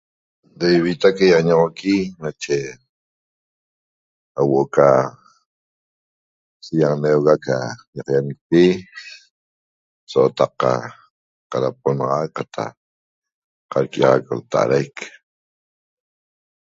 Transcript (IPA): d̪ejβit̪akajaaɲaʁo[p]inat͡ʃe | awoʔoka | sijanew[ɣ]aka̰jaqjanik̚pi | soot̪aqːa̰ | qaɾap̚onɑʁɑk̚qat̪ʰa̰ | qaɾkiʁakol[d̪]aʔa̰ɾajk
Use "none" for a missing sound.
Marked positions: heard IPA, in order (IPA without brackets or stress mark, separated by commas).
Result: k, ɣ, t̪